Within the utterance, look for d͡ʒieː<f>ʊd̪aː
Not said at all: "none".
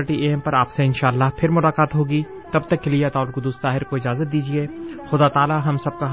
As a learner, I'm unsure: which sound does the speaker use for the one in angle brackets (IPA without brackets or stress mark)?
x